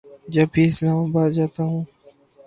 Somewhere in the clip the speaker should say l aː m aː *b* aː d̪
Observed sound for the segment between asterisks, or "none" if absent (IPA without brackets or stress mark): b